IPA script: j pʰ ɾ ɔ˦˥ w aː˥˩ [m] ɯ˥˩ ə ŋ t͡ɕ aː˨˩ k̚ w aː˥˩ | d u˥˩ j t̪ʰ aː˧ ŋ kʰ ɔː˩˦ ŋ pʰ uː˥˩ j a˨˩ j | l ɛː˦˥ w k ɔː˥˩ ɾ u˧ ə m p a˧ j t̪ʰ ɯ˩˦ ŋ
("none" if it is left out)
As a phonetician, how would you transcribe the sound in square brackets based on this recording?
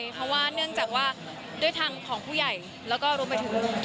n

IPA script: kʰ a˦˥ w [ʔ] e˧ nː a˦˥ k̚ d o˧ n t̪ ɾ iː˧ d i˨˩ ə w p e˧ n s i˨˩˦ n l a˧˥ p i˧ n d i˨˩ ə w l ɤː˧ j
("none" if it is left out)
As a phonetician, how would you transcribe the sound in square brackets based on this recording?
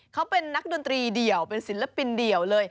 p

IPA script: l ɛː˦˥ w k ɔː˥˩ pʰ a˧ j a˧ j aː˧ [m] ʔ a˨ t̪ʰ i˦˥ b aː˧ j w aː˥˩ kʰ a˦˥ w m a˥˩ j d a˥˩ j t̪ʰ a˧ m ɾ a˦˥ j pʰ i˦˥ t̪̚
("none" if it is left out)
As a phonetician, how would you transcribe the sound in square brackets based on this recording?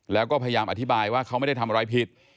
m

